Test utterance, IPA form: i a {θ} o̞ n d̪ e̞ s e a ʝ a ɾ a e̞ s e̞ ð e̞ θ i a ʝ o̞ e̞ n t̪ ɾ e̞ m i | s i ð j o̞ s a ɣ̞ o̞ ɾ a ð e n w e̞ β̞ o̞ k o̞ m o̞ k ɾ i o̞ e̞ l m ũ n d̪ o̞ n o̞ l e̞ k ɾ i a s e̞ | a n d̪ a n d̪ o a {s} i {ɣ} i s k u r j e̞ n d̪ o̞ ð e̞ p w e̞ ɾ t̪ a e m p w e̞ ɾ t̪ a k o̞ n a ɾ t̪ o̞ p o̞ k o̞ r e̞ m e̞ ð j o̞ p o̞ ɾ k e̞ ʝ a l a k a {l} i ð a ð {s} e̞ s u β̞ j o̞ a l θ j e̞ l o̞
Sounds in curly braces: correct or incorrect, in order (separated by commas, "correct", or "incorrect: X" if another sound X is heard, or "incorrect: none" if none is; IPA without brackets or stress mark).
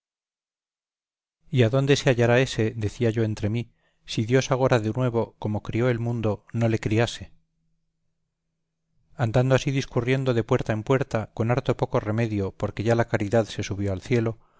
incorrect: ð, correct, incorrect: ð, incorrect: ɾ, correct